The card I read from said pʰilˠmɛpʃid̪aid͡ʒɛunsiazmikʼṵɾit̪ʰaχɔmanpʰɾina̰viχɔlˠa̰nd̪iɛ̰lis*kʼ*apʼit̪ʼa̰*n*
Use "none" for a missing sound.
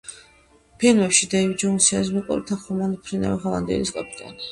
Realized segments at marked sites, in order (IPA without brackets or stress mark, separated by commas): kʼ, n